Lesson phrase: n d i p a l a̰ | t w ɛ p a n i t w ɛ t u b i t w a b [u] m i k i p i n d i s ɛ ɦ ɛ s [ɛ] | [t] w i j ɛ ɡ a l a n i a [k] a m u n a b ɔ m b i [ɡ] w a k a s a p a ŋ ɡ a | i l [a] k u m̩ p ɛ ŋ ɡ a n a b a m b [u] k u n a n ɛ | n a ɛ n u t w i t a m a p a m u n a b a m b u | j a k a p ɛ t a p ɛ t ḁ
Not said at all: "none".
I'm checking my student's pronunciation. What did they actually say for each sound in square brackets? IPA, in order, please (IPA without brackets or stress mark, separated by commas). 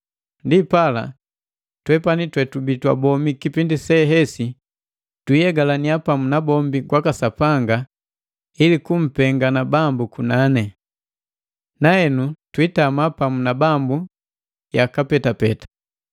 ɔ, i, t, p, ɡ, i, u